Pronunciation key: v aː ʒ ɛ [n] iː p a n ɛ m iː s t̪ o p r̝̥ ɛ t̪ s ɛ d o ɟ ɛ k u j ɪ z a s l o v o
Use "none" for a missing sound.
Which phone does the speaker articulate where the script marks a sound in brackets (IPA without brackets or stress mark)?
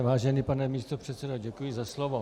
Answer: n